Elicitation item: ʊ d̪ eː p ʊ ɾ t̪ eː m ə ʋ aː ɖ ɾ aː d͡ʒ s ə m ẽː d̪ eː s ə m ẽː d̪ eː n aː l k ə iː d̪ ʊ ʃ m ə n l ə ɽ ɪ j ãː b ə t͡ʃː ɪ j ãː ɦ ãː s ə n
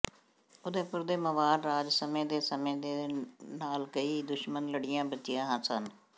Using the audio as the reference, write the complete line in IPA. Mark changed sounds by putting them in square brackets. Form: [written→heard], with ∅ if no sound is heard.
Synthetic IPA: ʊ d̪ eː p ʊ ɾ [t̪→d̪] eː m ə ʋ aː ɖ ɾ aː d͡ʒ s ə m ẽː d̪ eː s ə m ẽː d̪ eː n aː l k ə iː d̪ ʊ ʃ m ə n l ə ɽ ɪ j ãː b ə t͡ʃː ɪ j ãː ɦ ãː s ə n